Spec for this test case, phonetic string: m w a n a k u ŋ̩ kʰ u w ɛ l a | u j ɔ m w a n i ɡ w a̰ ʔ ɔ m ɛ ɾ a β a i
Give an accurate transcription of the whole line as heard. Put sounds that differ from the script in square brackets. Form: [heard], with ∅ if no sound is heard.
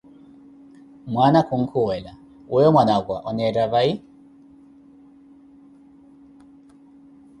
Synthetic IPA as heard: m w a n a k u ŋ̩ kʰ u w ɛ l a | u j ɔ m w a n [a] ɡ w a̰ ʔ ɔ [n] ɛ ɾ a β a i